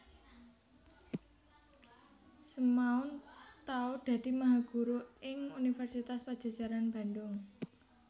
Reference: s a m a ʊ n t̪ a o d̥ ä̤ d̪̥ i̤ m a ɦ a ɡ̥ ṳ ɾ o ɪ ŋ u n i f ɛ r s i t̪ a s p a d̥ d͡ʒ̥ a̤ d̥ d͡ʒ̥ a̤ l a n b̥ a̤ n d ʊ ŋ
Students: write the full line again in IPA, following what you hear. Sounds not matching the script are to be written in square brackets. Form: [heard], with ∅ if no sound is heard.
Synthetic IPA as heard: s [ə] m a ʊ n t̪ a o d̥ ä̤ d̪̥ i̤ m a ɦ a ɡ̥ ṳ ɾ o ɪ ŋ u n i f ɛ r s i t̪ a s p a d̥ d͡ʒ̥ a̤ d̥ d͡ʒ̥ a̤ [ɾ] a n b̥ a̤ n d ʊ ŋ